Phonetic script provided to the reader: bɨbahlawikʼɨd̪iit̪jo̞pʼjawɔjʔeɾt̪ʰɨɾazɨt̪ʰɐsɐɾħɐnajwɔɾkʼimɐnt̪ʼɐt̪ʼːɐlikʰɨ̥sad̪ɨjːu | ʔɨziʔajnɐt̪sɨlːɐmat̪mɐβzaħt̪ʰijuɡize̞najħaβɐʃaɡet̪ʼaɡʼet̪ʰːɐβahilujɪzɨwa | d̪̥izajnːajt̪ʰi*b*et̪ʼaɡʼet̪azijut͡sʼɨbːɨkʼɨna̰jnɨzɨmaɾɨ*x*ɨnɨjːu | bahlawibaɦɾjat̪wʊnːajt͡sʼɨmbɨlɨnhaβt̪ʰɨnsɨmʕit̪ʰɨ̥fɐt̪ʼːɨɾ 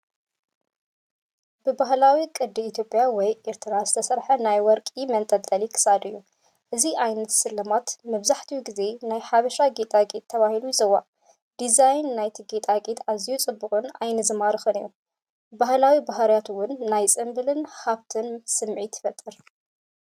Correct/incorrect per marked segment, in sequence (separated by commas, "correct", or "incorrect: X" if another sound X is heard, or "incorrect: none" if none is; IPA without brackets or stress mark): incorrect: ɡ, correct